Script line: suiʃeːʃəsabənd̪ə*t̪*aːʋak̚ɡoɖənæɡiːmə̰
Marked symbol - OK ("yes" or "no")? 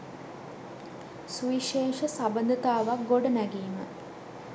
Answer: yes